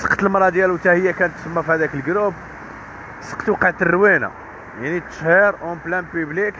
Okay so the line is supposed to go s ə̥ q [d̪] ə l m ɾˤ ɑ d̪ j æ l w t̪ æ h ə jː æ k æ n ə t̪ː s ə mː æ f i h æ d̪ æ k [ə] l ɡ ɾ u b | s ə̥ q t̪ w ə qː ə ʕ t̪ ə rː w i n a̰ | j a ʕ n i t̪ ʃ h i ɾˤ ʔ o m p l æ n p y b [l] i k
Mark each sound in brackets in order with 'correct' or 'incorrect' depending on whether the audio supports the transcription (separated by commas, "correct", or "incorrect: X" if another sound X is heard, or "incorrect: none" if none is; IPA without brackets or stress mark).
incorrect: t̪, correct, correct